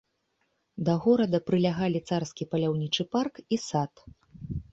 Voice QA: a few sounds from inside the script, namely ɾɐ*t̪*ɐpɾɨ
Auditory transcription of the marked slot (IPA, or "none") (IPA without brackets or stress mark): d̪